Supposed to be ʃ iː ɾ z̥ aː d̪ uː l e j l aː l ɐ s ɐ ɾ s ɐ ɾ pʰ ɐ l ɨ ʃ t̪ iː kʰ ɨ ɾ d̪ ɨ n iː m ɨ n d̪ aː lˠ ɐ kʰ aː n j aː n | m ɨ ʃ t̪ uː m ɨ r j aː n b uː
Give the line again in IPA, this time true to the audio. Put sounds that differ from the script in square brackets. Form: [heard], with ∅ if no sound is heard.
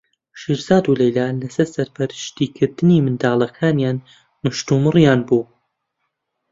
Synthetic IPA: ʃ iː ɾ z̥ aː d̪ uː l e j l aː l ɐ s ɐ ɾ s ɐ ɾ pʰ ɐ [ɾ] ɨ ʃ t̪ iː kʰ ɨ ɾ d̪ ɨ n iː m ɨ n d̪ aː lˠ ɐ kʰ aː n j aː n | m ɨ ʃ t̪ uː m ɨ r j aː n b uː